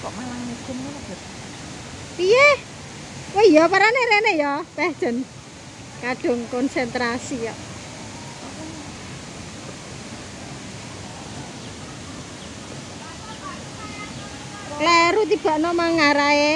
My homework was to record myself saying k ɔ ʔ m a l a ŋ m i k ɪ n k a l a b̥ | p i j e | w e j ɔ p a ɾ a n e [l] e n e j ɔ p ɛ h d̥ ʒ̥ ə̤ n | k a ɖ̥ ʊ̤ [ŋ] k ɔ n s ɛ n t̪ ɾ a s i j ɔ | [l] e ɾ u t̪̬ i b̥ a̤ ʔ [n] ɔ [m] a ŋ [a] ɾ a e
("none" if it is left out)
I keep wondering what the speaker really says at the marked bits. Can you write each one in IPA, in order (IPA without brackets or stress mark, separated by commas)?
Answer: ɾ, ŋ, l, n, m, a